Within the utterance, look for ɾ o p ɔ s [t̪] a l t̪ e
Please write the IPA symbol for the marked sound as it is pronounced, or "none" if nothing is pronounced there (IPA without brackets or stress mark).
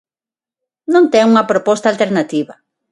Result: t̪